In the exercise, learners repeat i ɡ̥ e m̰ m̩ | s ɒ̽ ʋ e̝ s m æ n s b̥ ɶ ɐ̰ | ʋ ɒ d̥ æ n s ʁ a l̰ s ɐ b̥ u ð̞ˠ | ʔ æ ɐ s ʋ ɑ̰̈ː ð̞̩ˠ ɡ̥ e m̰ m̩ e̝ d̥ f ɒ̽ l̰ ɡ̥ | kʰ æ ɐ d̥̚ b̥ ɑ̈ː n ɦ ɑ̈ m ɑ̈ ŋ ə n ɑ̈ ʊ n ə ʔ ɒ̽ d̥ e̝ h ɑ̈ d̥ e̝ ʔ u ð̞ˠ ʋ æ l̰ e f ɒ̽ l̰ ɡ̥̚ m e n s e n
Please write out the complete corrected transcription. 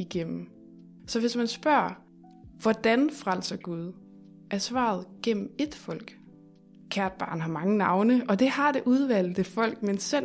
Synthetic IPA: i ɡ̥ e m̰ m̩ | s ɒ̽ ʋ e̝ s m æ n s b̥ ɶ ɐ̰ | ʋ ɒ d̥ æ n f ʁ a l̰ s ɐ ɡ̥ u ð̞ˠ | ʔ æ ɐ s ʋ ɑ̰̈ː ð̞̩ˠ ɡ̥ e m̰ m̩ e̝ d̥ f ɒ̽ l̰ ɡ̥ | kʰ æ ɐ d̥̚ b̥ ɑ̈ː n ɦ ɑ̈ m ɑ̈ ŋ ə n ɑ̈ ʊ n ə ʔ ɒ̽ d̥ e̝ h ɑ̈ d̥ e̝ ʔ u ð̞ˠ ʋ æ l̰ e f ɒ̽ l̰ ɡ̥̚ m e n s e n